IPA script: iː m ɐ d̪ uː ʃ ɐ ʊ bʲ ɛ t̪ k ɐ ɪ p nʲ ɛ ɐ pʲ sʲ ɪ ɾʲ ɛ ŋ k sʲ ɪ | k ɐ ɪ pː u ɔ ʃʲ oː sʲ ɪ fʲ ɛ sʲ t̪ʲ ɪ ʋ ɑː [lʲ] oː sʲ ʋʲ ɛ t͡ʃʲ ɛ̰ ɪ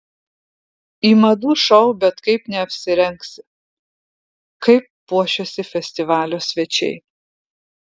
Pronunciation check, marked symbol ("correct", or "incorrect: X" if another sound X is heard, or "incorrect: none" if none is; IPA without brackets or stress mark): correct